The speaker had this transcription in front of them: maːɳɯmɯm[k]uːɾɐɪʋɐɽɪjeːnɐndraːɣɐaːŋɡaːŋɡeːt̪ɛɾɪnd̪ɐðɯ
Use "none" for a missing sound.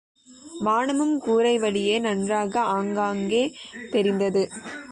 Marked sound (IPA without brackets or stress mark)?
k